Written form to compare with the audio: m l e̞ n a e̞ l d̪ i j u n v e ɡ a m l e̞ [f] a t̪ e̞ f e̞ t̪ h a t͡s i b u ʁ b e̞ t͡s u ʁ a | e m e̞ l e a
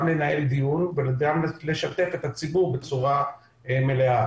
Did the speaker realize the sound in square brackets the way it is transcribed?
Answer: no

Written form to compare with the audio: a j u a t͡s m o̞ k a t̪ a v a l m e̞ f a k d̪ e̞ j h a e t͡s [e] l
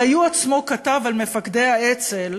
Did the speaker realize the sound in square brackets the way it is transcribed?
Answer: yes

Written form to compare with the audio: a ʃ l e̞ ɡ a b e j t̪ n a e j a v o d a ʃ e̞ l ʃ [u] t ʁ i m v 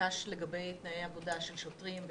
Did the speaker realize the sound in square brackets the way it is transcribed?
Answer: no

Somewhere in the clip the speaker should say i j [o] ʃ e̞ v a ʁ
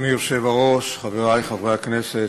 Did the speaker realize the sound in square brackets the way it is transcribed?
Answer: yes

